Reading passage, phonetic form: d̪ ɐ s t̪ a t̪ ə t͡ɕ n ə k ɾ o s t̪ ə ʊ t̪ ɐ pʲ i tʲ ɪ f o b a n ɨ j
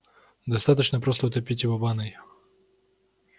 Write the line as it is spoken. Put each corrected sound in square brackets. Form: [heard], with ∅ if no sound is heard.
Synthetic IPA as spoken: d̪ ɐ s t̪ a t̪ ə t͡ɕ n ə [p] ɾ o s t̪ ə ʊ t̪ ɐ pʲ i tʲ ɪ [v] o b a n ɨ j